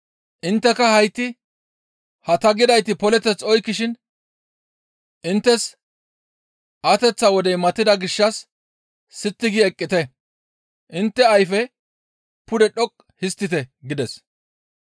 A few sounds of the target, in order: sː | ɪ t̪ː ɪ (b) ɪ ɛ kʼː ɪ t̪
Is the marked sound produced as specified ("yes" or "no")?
no